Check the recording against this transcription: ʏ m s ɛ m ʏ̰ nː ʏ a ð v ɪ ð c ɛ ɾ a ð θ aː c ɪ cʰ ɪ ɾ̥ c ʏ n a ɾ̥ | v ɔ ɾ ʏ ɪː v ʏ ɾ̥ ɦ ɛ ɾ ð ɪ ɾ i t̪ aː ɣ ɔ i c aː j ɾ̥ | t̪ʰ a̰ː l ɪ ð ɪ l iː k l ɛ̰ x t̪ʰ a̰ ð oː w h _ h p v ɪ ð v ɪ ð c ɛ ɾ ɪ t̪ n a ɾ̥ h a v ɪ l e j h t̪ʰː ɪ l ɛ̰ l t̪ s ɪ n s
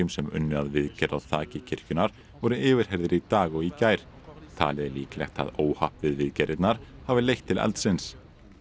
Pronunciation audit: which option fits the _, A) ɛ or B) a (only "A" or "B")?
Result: B